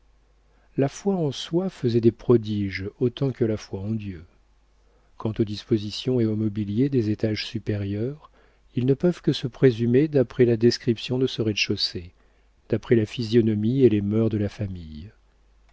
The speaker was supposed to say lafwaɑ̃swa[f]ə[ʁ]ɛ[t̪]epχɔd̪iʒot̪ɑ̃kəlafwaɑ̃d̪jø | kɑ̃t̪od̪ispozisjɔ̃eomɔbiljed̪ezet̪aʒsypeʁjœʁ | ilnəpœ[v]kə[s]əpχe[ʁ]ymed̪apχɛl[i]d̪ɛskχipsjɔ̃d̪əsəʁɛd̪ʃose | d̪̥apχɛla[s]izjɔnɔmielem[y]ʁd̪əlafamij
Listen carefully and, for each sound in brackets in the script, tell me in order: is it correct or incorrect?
correct, incorrect: z, incorrect: d̪, correct, correct, incorrect: z, incorrect: a, incorrect: f, incorrect: œ

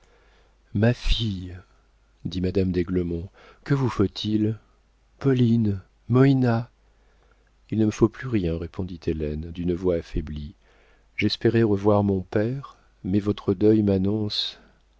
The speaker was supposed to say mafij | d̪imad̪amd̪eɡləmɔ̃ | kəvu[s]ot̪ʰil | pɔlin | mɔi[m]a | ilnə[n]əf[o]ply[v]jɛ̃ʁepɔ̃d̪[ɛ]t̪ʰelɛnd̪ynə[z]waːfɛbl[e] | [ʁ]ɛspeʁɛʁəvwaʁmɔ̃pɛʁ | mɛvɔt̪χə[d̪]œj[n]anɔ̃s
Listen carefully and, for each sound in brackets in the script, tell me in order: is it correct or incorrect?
incorrect: f, incorrect: n, incorrect: m, correct, incorrect: ʁ, incorrect: i, incorrect: v, incorrect: i, incorrect: ʒ, correct, incorrect: m

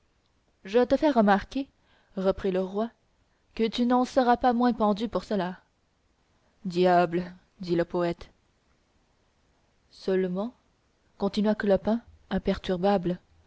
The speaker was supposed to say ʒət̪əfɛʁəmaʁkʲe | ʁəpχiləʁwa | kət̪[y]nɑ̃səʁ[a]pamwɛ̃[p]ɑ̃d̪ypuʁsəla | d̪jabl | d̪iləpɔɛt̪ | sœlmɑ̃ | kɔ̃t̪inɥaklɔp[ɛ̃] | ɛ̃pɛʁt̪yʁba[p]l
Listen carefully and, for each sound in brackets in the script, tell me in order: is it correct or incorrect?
correct, correct, correct, correct, incorrect: b

